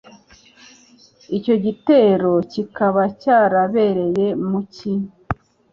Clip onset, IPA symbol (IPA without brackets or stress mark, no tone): i